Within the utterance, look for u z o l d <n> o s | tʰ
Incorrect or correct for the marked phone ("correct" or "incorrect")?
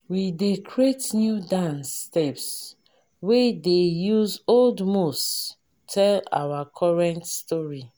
incorrect